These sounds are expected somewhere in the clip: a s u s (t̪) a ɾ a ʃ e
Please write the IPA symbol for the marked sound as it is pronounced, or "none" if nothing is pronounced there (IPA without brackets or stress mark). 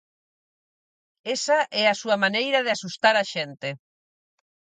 t̪